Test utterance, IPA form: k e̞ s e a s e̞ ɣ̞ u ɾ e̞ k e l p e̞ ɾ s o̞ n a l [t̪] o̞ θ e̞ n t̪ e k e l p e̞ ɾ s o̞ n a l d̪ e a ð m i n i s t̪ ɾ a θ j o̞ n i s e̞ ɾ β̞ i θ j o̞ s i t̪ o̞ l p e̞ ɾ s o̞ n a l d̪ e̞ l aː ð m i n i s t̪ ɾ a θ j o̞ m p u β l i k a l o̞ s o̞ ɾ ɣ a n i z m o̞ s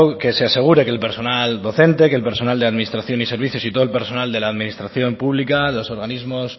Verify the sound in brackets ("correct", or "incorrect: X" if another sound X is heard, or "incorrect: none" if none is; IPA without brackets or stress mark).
incorrect: d̪